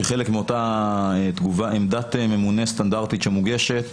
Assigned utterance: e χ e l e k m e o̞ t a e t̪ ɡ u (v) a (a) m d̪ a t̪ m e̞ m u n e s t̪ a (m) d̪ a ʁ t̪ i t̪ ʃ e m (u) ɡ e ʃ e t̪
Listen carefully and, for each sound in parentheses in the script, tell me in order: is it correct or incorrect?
correct, incorrect: e, incorrect: n, correct

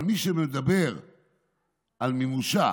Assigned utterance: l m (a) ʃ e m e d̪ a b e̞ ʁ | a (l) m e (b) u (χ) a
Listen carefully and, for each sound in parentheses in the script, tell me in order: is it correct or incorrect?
incorrect: i, correct, incorrect: m, incorrect: ʃ

